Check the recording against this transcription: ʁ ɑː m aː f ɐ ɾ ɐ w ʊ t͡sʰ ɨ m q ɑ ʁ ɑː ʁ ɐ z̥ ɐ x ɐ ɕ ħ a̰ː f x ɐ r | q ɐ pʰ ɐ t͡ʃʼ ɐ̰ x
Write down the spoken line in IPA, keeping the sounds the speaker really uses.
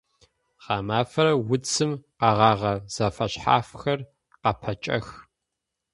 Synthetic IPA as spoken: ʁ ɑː m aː f ɐ ɾ ɐ w ʊ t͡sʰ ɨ m q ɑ ʁ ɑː ʁ ɐ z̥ ɐ f ɐ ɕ ħ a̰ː f x ɐ r | q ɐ pʰ ɐ t͡ʃʼ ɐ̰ x